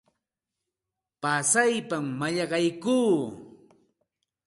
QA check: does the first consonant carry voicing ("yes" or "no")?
no